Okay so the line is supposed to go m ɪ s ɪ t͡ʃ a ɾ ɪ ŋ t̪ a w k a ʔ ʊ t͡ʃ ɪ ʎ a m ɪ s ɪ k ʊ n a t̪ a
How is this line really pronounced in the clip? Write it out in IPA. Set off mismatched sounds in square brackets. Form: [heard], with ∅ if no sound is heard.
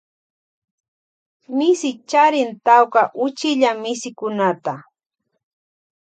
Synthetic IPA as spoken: m ɪ s ɪ t͡ʃ a ɾ ɪ [n] t̪ a w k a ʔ ʊ t͡ʃ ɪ ʎ a m ɪ s ɪ k ʊ n a t̪ a